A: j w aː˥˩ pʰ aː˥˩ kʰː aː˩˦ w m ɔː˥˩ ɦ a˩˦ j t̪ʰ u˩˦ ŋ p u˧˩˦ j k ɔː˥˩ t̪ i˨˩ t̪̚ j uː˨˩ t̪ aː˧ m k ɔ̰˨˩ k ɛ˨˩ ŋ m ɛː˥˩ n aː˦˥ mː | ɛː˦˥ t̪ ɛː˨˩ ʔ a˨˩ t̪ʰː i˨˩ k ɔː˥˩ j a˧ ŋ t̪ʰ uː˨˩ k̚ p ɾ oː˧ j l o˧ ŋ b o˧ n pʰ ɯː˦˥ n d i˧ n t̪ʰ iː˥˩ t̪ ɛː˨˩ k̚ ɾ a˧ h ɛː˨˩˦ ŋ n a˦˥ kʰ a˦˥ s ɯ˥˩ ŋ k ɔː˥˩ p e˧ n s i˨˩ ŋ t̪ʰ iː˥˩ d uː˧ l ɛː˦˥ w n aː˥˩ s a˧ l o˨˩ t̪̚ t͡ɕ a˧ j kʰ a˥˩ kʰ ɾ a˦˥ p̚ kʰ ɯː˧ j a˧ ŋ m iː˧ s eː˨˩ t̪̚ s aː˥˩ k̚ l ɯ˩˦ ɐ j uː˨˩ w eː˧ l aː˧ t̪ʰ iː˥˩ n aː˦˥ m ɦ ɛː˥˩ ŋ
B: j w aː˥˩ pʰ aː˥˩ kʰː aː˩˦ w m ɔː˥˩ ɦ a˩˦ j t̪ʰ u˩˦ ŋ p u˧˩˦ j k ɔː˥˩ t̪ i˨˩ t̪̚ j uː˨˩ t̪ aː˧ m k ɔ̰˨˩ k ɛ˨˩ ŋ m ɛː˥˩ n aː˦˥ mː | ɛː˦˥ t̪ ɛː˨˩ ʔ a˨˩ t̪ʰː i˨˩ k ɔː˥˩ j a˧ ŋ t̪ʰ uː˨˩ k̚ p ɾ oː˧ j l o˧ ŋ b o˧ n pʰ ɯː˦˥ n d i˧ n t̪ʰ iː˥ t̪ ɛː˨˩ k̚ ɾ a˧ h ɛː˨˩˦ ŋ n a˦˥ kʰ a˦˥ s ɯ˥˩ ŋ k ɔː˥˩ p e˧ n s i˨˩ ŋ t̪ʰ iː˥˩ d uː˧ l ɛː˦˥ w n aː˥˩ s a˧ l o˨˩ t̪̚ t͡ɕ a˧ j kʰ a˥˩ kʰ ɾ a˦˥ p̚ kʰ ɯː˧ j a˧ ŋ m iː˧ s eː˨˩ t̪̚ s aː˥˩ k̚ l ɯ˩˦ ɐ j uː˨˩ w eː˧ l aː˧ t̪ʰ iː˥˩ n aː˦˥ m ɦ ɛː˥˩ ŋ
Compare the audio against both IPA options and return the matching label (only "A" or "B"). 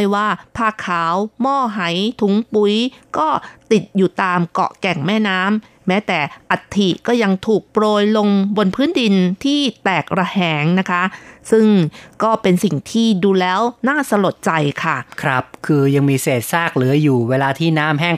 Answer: A